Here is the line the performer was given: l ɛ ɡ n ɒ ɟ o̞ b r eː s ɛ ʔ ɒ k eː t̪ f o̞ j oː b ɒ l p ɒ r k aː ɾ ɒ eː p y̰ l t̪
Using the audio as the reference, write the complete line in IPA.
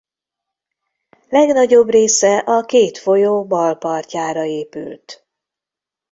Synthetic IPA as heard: l ɛ ɡ n ɒ ɟ o̞ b r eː s ɛ ʔ ɒ k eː t̪ f o̞ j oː b ɒ l p ɒ r c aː ɾ ɒ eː p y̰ l t̪